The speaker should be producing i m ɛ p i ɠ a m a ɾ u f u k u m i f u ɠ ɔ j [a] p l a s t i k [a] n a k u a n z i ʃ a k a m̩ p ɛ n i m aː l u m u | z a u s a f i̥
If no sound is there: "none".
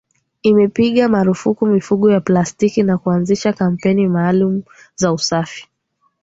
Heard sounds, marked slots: a, i

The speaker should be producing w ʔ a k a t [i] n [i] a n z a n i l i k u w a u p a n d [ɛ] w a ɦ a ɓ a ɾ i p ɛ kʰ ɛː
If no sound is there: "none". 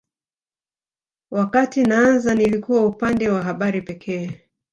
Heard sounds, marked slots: i, a, ɛ

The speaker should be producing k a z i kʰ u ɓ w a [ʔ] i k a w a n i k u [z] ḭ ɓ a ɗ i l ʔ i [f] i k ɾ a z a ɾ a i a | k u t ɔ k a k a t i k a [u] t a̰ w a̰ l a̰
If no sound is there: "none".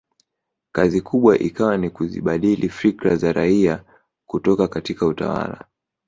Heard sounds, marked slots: ʔ, z, f, u

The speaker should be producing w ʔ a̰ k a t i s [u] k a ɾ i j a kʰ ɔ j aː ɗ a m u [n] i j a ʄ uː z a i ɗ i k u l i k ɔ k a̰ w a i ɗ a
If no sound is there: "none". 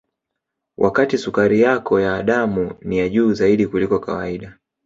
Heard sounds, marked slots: u, n

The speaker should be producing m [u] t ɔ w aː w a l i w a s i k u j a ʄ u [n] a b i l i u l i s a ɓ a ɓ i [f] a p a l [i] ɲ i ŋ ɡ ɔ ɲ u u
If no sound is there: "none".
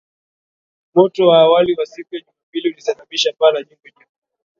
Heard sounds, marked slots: ɔ, m, ʃ, a

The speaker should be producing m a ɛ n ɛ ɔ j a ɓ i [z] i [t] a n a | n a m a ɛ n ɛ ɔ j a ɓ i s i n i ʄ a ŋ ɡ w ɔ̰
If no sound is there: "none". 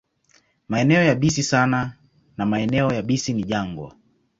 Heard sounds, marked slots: s, s

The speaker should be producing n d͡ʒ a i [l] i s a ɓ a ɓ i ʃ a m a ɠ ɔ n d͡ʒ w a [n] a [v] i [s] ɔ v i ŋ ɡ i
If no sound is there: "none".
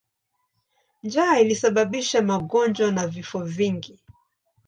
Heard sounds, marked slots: l, n, v, f

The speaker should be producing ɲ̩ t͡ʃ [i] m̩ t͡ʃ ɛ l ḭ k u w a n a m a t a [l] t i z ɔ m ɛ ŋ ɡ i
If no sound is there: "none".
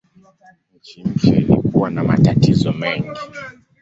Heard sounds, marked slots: i, none

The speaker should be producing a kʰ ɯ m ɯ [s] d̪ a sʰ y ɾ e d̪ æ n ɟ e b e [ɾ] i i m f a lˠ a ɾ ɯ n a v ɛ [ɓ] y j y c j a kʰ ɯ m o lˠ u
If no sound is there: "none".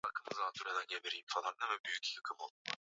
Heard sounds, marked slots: z, ɾ, b

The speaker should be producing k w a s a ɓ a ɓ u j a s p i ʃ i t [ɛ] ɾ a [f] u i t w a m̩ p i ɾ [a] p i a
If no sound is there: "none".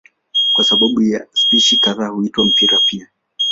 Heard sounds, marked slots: a, h, a

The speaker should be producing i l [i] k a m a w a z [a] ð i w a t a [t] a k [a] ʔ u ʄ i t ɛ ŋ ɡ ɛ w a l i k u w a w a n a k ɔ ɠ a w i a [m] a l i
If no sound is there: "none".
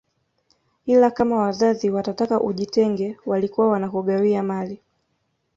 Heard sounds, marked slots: a, a, t, a, m

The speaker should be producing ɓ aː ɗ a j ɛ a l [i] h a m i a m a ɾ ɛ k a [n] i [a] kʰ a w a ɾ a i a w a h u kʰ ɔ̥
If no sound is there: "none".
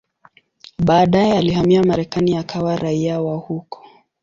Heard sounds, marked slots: i, n, a

